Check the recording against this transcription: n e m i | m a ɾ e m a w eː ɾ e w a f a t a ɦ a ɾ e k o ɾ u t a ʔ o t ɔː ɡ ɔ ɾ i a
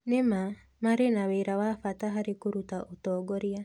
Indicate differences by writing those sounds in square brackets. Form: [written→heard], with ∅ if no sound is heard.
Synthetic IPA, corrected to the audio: n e m [i→a] | m a ɾ e [m→n] a w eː ɾ [e→a] w a f a t a ɦ a ɾ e k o ɾ u t a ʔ o t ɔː ɡ ɔ ɾ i a